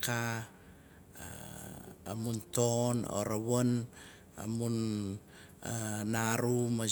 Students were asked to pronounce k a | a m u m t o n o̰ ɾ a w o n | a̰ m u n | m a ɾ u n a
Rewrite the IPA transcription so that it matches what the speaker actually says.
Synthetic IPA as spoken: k a | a m u n t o n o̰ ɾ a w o n | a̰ m u n | n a ɾ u m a